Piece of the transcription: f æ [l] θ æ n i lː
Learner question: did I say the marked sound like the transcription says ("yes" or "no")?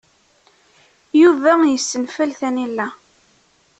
yes